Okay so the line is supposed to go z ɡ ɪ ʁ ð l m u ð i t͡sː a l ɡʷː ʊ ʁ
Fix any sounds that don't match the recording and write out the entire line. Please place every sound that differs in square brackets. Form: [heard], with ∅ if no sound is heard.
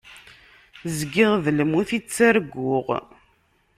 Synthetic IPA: z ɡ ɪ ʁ ð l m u [θ] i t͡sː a [ɾ] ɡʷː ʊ ʁ